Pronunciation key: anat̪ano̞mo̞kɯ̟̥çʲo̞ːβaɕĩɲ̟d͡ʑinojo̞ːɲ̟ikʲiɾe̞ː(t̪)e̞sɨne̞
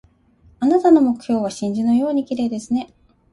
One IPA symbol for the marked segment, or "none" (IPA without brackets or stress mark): d̪